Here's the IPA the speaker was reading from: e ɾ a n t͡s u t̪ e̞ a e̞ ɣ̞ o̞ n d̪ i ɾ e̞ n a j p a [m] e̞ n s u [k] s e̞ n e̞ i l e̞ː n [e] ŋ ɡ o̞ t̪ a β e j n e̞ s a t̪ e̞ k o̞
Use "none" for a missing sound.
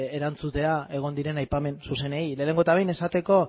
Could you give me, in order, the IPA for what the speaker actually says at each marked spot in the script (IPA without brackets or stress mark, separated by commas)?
m, none, e